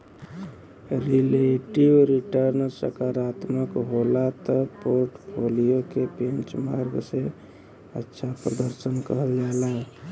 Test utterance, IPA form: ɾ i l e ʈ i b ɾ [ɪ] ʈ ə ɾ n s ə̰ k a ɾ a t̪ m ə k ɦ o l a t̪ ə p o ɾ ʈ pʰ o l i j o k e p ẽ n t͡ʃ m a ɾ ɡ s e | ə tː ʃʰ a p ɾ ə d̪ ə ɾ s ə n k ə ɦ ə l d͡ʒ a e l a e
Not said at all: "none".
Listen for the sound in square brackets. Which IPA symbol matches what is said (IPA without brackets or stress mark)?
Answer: i